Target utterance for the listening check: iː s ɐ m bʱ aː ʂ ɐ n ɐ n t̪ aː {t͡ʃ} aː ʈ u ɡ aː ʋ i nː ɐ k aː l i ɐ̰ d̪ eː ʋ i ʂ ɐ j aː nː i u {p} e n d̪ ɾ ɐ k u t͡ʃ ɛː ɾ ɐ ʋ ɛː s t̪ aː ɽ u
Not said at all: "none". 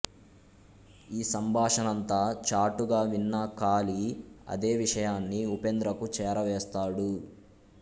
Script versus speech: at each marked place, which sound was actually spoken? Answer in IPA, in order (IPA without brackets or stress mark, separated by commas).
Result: t͡ʃ, p